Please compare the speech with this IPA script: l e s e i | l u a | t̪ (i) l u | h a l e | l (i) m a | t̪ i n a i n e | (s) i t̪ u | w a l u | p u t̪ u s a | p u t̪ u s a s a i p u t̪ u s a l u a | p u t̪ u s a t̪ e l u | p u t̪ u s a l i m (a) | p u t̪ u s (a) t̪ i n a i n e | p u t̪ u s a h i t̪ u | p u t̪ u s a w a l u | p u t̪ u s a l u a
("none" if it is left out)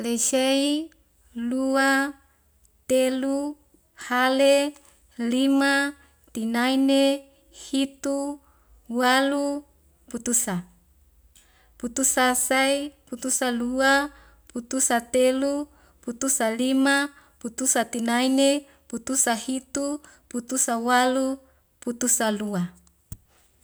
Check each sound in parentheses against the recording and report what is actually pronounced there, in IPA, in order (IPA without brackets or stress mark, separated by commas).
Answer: e, i, h, a, a